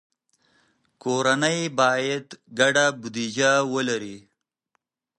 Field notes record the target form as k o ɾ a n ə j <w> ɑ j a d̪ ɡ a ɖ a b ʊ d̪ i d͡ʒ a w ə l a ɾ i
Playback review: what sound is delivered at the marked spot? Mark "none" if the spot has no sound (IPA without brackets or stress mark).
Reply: b